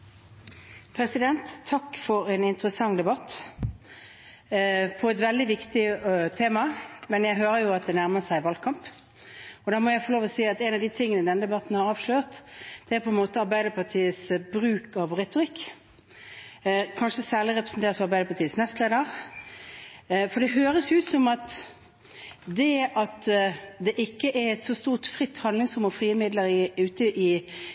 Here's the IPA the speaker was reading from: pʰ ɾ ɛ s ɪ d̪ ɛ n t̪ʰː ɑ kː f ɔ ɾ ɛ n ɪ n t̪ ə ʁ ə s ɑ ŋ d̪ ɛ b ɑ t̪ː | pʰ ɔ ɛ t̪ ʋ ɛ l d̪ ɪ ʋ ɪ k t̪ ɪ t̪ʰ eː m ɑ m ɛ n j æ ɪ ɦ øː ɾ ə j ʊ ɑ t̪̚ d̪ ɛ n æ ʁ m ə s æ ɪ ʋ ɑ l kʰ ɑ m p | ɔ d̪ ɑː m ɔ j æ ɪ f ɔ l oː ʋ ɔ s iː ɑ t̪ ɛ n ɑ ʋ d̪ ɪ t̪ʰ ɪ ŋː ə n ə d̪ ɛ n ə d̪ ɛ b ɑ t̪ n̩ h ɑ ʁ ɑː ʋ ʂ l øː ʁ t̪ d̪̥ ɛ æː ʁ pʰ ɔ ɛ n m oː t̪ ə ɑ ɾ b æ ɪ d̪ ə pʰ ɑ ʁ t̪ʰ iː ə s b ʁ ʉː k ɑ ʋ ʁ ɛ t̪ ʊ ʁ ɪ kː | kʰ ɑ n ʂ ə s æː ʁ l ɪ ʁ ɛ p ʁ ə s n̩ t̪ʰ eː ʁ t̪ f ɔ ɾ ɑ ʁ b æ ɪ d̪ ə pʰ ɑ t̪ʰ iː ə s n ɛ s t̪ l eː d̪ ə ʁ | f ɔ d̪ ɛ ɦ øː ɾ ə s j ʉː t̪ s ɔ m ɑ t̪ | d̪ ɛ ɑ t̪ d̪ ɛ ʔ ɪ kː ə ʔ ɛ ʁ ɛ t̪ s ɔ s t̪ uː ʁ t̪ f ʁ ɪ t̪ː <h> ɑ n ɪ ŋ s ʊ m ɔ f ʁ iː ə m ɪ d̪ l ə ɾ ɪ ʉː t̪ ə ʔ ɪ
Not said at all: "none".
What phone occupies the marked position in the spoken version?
h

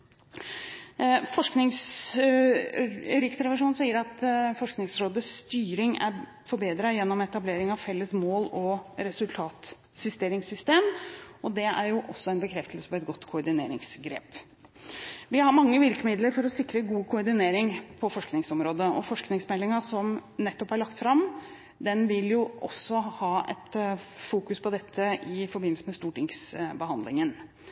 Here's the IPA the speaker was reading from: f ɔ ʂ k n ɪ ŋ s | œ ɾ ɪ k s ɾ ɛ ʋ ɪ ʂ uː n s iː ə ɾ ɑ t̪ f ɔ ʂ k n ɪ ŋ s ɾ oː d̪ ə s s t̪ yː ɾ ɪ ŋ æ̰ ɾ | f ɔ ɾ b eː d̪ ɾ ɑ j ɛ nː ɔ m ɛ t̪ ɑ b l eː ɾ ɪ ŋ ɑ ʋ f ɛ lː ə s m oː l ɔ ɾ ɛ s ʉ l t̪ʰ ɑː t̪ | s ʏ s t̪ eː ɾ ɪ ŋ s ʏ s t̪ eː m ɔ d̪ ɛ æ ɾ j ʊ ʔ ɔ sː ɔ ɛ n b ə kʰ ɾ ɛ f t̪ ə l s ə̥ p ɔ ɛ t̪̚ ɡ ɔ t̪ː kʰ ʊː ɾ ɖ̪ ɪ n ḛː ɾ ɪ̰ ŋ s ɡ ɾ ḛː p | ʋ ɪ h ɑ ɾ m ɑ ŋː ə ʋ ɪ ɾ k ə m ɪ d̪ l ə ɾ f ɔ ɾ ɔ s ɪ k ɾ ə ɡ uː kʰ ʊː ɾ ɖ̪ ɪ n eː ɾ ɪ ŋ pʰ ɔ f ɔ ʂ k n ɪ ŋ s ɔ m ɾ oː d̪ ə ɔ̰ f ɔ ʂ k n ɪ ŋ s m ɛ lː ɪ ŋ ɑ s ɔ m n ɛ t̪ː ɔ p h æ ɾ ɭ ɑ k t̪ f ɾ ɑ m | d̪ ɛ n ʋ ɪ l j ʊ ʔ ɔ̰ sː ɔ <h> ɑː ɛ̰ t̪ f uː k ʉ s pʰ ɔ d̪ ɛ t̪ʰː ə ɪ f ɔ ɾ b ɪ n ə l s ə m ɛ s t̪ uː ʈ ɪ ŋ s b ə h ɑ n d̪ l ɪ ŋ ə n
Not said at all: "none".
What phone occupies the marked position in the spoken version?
h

